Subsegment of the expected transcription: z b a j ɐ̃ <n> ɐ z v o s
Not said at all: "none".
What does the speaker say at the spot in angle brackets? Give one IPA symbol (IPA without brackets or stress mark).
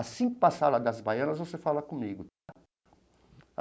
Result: n